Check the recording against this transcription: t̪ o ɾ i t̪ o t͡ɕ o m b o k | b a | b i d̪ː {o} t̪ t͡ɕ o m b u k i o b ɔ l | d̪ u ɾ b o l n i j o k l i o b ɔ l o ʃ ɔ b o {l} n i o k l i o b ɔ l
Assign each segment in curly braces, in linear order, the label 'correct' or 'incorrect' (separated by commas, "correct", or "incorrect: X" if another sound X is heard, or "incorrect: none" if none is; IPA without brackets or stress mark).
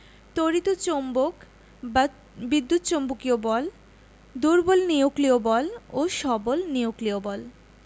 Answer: incorrect: u, correct